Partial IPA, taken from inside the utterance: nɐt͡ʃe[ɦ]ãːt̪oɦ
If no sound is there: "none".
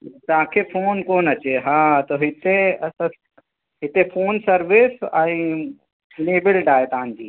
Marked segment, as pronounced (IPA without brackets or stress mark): ɦ